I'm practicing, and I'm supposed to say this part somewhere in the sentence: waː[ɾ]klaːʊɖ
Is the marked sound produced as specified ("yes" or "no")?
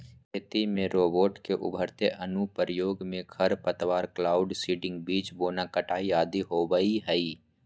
yes